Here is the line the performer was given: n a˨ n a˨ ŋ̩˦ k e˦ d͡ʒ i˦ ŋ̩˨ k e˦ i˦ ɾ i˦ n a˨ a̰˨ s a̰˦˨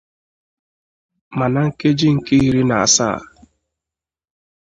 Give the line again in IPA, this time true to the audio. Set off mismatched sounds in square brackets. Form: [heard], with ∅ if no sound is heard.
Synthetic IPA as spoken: [m] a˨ n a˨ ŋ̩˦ k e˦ d͡ʒ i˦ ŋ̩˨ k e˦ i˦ ɾ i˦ n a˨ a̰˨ s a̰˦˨